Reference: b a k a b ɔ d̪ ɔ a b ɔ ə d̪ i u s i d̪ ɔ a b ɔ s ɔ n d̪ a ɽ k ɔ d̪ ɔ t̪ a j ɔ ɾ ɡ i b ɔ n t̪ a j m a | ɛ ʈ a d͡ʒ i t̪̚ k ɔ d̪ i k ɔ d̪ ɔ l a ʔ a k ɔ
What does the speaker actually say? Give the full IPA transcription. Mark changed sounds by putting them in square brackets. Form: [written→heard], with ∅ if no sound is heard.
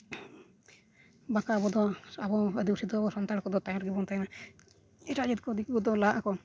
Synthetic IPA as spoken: b a k a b ɔ d̪ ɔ a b ɔ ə d̪ i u s i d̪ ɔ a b ɔ s ɔ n [d̪→t̪] a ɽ k ɔ d̪ ɔ t̪ a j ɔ ɾ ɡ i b ɔ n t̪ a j [m→n] a | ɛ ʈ a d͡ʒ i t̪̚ k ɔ d̪ i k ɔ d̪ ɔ l a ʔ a k ɔ